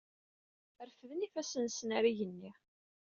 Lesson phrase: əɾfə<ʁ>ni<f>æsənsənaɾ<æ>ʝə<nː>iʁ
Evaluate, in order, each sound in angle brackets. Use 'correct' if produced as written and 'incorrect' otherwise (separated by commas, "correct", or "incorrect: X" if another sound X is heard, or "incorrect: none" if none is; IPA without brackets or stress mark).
incorrect: ð, correct, incorrect: i, correct